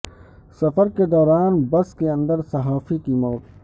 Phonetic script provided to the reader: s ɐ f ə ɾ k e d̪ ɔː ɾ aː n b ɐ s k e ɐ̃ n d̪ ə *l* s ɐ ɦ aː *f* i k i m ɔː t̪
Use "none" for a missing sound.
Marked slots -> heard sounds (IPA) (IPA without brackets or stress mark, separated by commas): ɾ, f